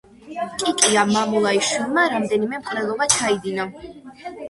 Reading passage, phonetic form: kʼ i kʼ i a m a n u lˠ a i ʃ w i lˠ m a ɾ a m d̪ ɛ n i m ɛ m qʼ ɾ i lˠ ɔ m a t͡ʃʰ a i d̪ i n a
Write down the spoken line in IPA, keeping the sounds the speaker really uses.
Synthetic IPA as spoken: kʼ i kʼ i a m a m u lˠ a i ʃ w i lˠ m a ɾ a m d̪ ɛ n i m ɛ m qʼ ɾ ɛ lˠ ɔ b a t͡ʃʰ a i d̪ i n a